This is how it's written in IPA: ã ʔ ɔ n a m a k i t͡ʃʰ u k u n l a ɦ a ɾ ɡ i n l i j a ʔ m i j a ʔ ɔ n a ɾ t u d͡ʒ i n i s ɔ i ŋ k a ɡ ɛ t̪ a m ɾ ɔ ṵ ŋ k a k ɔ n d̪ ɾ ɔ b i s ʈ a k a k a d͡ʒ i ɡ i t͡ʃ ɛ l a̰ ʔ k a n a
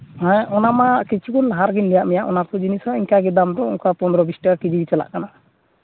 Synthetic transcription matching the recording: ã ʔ ɔ n a m a k i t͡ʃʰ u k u n l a ɦ a ɾ ɡ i n l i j a ʔ m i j a ʔ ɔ n a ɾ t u d͡ʒ i n i s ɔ i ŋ k a ɡ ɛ d̪ a m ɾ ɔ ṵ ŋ k a p ɔ n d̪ ɾ ɔ b i s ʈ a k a k i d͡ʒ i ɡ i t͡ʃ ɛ l a̰ ʔ k a n a